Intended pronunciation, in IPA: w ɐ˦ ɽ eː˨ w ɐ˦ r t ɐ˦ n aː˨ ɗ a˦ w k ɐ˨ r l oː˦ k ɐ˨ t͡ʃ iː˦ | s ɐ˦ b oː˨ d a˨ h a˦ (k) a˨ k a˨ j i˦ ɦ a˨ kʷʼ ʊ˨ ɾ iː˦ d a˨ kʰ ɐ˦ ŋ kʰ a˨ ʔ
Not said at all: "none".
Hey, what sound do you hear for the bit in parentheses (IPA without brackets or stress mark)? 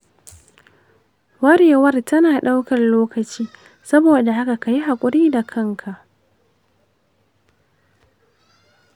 k